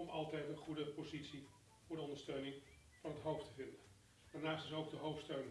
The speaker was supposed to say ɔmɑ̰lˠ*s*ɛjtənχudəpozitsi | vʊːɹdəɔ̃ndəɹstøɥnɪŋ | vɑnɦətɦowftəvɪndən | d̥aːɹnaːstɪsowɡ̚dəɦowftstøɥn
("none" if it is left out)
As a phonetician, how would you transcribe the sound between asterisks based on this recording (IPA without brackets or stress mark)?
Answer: t